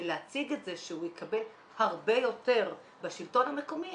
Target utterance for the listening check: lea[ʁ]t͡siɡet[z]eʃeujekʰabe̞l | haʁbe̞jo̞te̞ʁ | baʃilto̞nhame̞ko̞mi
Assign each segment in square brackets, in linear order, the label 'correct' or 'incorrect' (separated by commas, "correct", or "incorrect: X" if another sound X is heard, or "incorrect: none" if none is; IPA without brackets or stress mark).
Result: incorrect: none, correct